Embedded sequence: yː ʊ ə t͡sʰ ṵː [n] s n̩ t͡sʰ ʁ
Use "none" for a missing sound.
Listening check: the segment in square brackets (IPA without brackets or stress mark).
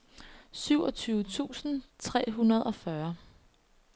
none